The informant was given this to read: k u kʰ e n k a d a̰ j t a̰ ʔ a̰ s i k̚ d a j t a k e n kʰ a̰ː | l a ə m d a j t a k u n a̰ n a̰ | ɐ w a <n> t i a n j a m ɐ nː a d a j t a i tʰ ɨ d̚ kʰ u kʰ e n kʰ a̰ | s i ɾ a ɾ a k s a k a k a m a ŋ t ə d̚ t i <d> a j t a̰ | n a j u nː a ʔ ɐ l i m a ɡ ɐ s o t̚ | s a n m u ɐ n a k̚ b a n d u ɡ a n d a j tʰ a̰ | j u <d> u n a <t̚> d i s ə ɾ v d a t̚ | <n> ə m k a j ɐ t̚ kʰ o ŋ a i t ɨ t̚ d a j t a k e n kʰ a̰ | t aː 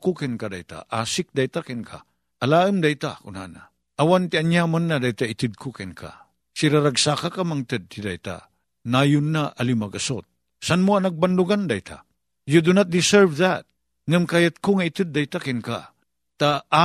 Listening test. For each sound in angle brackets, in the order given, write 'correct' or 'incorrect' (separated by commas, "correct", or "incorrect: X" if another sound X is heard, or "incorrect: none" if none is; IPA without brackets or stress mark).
correct, correct, correct, correct, incorrect: ŋ